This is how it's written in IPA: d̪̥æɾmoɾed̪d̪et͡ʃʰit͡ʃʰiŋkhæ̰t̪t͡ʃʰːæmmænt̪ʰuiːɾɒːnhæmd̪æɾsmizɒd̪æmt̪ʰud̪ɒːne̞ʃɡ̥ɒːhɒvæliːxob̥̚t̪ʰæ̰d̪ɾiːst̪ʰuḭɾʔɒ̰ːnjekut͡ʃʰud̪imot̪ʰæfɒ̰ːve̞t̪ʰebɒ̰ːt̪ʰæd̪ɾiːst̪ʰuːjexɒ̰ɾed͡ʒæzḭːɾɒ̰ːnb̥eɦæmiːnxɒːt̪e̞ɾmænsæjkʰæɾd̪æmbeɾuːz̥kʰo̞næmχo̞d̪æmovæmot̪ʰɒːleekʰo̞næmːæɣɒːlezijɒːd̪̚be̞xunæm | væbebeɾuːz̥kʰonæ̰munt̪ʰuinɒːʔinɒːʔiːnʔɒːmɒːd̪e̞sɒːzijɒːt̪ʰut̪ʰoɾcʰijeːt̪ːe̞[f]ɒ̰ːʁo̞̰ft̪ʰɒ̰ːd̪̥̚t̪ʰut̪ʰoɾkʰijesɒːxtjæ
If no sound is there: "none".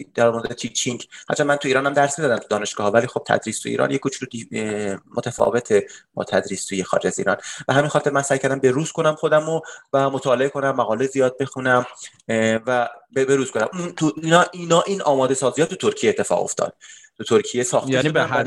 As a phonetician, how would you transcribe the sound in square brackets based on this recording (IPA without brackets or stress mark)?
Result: f